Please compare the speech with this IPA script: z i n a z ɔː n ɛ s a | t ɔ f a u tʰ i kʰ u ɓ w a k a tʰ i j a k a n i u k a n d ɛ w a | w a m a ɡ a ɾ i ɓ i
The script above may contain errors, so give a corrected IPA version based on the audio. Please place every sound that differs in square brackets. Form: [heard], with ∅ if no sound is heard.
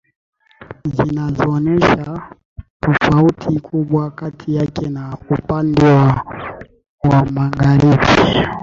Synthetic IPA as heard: z i n a z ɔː n ɛ [ʃ] a | t ɔ f a u tʰ i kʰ u ɓ w a k a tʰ i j a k [ɛ] n [a] u [p] a n d ɛ w a | w a m a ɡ a ɾ i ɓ i